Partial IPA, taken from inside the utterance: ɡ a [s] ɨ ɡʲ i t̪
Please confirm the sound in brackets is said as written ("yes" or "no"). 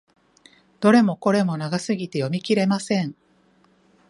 yes